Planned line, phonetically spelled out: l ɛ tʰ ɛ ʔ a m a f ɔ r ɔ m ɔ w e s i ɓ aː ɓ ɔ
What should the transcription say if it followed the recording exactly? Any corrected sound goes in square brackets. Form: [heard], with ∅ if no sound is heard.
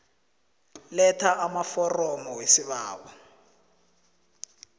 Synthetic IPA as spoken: l ɛ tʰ [a] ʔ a m a f ɔ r ɔ m ɔ w e s i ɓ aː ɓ ɔ